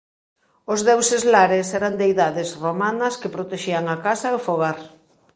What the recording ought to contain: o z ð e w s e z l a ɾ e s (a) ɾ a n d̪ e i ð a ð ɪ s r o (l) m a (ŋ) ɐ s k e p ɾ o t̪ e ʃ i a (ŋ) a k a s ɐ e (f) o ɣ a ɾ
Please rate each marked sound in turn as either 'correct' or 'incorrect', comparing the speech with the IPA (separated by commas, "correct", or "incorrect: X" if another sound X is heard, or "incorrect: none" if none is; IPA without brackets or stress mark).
incorrect: ɛ, incorrect: none, incorrect: n, correct, correct